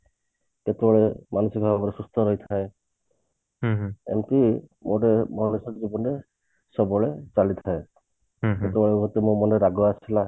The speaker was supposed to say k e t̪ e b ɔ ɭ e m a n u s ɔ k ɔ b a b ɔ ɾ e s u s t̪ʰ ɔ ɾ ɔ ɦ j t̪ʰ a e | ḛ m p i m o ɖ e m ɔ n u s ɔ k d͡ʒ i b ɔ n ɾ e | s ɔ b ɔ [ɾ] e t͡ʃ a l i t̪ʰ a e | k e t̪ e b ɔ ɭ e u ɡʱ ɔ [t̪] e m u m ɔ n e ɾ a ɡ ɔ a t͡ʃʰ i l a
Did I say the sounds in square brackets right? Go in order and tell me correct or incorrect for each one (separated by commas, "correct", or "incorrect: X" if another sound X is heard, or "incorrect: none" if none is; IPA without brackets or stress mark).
incorrect: ɭ, correct